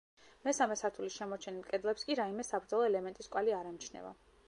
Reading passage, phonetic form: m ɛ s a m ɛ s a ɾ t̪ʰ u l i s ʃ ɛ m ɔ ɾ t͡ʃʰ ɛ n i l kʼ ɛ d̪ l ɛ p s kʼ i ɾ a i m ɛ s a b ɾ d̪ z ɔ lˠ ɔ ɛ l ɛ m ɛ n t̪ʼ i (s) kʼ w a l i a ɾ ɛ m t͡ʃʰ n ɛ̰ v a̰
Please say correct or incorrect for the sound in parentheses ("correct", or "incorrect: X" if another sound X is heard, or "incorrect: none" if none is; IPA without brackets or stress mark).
correct